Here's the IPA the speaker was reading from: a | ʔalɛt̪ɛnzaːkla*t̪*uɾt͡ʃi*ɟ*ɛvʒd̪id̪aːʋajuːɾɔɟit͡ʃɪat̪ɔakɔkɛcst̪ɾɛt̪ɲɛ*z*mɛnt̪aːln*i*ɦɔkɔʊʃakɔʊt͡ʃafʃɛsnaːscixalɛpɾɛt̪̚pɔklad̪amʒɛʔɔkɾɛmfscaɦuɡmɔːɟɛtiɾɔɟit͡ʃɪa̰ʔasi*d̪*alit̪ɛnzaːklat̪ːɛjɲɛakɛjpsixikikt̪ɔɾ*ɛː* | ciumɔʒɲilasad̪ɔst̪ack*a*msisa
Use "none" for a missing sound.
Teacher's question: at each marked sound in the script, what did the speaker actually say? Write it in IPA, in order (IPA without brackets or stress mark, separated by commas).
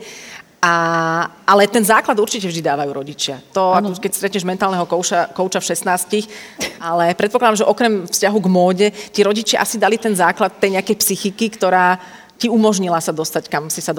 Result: d̪, c, ʒ, ɛ, d̪, aː, a